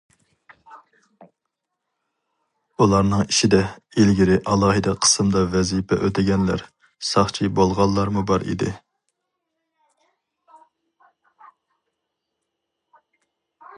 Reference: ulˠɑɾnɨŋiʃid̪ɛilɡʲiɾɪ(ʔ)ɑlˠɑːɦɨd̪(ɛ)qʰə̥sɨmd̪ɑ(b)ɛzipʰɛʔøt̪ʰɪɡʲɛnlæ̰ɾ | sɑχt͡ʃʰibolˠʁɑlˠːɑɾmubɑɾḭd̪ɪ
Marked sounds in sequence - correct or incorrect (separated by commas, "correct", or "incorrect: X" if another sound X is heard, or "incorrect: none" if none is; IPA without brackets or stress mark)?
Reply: correct, correct, incorrect: v